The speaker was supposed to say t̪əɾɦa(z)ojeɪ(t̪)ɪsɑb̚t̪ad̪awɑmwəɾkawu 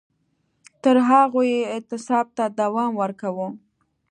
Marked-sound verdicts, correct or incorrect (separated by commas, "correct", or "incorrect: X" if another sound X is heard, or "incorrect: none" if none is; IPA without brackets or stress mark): incorrect: ɣ, correct